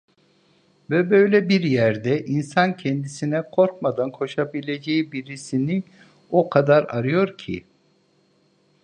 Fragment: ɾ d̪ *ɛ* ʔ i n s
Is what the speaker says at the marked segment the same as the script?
yes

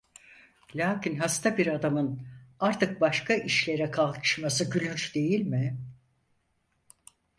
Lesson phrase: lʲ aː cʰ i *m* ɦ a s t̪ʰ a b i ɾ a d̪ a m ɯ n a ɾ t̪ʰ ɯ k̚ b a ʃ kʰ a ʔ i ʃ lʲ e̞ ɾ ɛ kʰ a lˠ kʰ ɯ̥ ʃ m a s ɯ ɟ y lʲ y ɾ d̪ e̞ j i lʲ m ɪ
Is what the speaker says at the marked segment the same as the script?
no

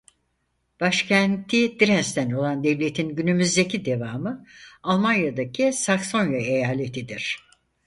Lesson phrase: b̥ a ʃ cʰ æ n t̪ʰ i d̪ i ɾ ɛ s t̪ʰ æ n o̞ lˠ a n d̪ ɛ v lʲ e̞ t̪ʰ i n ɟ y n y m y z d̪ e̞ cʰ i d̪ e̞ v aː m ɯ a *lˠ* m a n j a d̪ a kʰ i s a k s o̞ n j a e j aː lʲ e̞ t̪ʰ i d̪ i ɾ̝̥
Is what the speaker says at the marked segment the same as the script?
yes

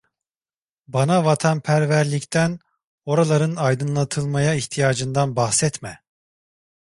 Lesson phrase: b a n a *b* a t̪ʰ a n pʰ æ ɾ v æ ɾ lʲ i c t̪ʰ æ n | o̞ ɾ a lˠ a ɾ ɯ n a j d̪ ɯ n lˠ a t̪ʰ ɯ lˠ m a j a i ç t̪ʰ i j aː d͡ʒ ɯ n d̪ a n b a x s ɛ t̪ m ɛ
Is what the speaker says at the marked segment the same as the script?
no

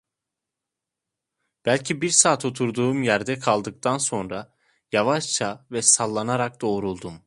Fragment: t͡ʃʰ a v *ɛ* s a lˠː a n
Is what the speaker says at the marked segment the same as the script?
yes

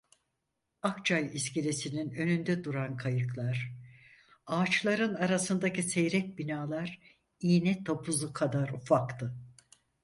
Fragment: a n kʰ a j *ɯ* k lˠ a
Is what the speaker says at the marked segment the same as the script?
yes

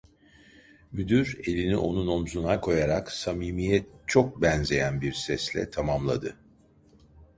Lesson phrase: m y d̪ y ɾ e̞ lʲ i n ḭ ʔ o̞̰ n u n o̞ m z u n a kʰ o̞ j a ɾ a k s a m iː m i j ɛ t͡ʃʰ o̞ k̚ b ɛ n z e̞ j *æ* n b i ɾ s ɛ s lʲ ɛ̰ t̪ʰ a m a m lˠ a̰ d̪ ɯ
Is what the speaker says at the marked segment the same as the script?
yes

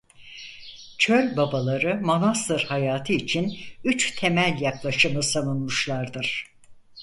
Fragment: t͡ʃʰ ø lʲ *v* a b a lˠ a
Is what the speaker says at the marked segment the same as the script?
no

